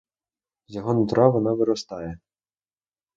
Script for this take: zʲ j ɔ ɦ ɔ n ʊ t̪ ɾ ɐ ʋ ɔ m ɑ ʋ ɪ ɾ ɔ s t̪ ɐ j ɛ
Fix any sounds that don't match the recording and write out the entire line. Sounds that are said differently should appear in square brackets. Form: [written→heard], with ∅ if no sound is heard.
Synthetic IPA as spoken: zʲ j ɔ ɦ ɔ n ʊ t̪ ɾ [ɐ→ɑ] ʋ ɔ [m→n] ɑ ʋ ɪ ɾ ɔ s t̪ [ɐ→ɑ] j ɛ